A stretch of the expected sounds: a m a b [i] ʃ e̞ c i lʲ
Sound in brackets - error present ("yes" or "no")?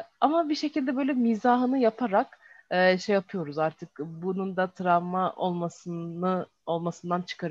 no